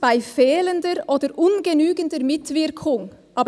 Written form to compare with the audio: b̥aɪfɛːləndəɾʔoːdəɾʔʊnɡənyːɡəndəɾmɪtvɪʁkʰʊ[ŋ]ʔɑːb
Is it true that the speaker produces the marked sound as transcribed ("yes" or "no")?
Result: yes